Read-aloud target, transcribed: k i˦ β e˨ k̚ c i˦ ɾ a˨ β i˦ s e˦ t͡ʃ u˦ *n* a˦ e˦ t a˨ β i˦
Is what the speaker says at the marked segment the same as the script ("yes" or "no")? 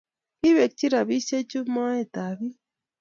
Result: no